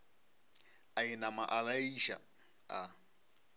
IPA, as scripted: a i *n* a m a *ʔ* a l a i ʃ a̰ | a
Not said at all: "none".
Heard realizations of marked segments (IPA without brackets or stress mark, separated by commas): n, ʔ